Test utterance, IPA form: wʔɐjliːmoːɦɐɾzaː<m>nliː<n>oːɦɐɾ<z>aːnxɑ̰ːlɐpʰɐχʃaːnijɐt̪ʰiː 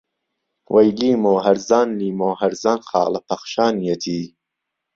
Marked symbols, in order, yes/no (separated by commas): no, no, yes